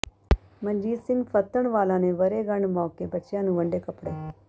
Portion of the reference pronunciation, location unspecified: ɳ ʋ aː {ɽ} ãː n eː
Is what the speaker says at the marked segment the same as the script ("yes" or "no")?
no